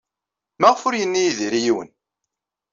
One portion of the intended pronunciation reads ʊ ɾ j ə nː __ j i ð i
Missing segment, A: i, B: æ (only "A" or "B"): A